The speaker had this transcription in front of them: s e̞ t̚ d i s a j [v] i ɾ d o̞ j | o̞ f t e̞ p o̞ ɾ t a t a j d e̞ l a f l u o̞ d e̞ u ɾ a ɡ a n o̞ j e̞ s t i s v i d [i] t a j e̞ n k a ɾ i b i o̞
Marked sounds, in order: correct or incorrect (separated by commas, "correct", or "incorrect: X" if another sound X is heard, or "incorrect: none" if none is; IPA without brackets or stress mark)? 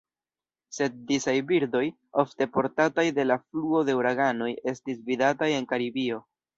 incorrect: b, incorrect: a